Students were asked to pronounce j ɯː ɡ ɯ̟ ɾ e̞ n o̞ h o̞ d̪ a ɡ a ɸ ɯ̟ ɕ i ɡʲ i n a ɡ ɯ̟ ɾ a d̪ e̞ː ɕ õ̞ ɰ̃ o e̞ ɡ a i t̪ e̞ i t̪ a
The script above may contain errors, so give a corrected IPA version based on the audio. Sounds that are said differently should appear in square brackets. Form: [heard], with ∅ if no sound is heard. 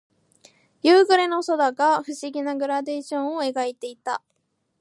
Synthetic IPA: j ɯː ɡ ɯ̟ ɾ e̞ n o̞ [s] o̞ d̪ a ɡ a ɸ ɯ̟ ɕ i ɡʲ i n a ɡ ɯ̟ ɾ a d̪ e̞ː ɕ õ̞ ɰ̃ o e̞ ɡ a i t̪ e̞ i t̪ a